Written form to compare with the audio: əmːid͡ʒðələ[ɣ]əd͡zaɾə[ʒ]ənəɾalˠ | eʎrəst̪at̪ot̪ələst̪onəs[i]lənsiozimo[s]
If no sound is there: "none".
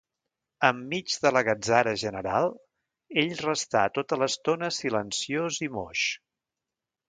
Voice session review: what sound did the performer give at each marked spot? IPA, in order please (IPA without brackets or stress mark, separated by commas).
ɣ, ʒ, i, ʃ